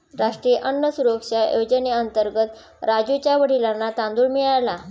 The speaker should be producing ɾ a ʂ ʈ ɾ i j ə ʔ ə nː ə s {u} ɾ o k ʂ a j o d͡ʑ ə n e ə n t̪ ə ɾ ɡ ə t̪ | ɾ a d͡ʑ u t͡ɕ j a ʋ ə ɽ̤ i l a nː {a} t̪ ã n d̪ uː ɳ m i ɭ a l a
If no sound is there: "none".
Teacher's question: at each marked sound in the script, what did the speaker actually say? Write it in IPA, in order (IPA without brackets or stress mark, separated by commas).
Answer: u, a